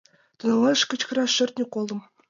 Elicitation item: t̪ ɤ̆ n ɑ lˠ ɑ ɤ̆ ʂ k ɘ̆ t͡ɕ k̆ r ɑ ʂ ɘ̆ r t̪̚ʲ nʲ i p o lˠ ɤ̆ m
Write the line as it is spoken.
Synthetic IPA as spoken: t̪ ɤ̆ n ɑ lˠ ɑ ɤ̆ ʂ k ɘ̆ t͡ɕ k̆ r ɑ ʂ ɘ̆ r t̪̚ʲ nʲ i k o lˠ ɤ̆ m